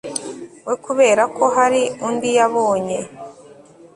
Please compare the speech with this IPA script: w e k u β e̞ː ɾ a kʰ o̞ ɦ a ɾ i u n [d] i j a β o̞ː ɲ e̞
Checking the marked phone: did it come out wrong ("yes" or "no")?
no